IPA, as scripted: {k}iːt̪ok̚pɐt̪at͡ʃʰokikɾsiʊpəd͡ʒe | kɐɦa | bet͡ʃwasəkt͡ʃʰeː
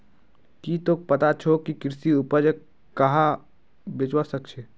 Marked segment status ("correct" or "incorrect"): correct